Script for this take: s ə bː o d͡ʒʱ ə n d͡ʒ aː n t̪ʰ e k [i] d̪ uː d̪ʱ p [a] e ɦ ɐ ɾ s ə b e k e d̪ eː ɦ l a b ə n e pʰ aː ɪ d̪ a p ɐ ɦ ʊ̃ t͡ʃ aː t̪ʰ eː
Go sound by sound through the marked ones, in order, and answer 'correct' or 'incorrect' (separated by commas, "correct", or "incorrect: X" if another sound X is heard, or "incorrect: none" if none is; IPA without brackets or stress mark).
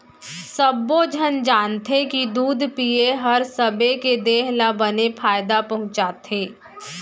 correct, incorrect: i